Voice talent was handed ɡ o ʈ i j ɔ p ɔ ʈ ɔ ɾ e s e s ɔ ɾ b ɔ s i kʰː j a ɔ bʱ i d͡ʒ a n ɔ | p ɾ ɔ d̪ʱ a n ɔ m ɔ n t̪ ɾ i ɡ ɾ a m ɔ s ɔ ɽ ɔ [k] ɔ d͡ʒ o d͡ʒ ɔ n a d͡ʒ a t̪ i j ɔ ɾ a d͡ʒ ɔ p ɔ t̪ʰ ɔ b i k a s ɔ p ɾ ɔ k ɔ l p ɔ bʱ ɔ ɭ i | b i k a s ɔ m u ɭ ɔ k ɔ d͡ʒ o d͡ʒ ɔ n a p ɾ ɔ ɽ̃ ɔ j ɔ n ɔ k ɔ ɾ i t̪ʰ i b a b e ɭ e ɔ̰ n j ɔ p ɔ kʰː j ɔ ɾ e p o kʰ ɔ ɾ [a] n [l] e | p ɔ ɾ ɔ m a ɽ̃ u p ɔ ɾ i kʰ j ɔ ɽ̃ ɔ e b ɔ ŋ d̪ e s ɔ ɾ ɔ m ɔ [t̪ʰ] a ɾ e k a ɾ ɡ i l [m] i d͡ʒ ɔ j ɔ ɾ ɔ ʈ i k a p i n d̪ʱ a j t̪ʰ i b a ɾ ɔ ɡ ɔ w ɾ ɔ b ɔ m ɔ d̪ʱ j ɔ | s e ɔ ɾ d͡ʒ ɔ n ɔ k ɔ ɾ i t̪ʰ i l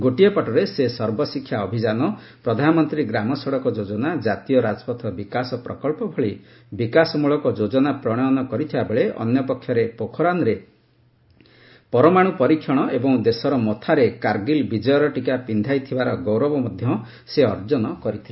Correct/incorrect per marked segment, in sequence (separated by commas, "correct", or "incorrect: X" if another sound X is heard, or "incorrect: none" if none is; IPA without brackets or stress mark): correct, correct, incorrect: ɾ, correct, incorrect: b